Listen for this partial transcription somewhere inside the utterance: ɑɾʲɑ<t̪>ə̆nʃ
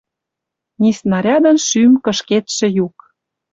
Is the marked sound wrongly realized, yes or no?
yes